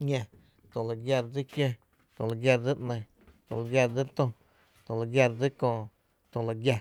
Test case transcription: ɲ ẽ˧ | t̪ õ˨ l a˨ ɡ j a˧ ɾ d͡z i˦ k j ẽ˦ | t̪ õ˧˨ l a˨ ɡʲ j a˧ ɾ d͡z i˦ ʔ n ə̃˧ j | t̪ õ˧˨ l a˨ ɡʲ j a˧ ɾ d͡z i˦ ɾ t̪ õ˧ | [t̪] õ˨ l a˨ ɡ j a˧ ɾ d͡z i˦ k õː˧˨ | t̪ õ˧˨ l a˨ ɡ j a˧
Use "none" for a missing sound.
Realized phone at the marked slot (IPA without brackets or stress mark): t̪